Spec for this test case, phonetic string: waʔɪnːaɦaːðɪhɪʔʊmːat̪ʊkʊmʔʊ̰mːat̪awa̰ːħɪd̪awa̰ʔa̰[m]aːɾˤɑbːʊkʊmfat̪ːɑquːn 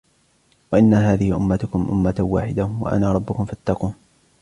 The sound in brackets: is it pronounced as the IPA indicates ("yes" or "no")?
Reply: no